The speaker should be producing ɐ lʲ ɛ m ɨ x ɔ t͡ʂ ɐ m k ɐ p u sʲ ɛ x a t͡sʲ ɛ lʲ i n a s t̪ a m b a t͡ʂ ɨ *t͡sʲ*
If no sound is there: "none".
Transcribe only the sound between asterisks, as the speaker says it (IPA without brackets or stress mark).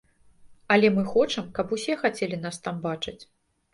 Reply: t͡sʲ